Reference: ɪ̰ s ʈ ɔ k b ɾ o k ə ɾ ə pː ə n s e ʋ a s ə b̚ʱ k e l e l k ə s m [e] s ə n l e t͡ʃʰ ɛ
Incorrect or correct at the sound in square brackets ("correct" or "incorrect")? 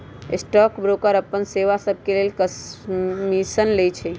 incorrect